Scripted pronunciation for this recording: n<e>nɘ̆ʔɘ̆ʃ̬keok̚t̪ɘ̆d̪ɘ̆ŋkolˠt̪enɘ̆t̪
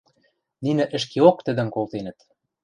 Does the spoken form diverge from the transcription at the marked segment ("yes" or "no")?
yes